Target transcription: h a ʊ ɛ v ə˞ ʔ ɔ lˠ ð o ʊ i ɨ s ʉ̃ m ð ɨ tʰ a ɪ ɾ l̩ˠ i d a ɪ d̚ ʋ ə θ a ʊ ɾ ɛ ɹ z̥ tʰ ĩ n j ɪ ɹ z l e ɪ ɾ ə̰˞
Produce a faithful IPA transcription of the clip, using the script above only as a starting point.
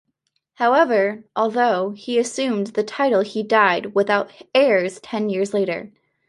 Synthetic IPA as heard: h a ʊ ɛ v ə˞ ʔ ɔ lˠ ð o ʊ i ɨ s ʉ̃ m ð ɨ tʰ a ɪ ɾ l̩ˠ i d a ɪ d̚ w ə θ a ʊ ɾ ɛ ɹ z̥ tʰ ɛ̃ n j ɪ ɹ z l e ɪ ɾ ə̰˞